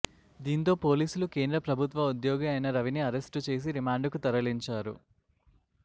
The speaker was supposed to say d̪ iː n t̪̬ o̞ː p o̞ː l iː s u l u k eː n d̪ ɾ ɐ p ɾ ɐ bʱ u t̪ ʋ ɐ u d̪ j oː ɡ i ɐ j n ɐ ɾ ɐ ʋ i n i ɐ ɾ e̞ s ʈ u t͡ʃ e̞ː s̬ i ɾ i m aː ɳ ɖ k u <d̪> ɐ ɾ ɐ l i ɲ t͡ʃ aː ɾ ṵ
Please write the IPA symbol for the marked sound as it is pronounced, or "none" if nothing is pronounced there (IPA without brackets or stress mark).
t̪